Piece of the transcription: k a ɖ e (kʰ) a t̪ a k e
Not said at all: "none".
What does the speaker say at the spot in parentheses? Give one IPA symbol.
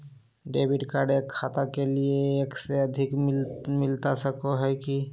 kʰ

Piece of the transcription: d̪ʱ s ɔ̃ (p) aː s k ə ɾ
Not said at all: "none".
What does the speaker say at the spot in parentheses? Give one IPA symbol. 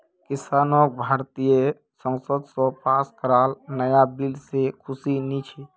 p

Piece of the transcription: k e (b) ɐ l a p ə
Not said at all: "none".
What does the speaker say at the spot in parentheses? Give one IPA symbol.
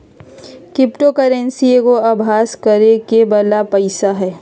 b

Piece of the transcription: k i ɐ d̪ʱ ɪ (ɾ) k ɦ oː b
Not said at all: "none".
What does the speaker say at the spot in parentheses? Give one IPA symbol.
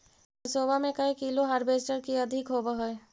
none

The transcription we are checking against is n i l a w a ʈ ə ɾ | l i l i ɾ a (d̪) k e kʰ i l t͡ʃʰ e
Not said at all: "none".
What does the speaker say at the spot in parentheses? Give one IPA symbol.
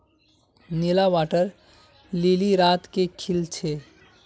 t̪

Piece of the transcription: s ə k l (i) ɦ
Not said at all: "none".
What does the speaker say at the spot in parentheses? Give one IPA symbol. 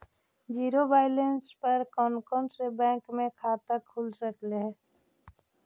e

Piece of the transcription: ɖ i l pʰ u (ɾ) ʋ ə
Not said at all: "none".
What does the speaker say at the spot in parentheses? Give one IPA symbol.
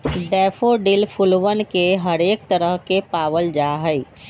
l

